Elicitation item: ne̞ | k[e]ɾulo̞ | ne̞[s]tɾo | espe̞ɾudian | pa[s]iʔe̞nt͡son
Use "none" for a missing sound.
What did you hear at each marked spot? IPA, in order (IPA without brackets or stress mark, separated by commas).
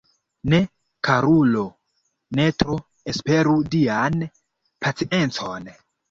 a, none, t͡s